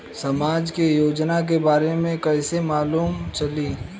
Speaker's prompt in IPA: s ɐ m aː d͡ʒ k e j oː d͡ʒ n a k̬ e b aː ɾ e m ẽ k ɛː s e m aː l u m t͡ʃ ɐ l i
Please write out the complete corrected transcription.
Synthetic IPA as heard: s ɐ m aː d͡ʒ k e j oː d͡ʒ n a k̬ e b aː ɾ e m ẽ k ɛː s e m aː l uː m t͡ʃ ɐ l i